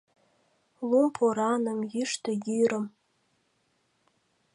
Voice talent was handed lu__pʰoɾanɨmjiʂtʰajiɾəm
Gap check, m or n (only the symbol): m